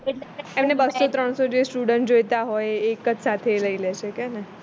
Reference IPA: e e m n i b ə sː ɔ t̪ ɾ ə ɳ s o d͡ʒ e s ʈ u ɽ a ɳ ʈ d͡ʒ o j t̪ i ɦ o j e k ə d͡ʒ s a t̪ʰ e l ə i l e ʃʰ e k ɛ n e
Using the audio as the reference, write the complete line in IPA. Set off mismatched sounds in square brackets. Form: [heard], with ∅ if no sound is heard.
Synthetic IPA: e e m n [e] b ə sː [o] t̪ ɾ ə ɳ s o d͡ʒ e s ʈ u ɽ [ə] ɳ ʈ d͡ʒ o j t̪ [a] ɦ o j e k ə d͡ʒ s a t̪ʰ e l ə i l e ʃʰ e k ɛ n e